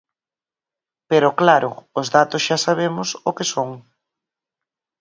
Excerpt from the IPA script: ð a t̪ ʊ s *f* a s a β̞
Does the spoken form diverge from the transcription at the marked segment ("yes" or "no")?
yes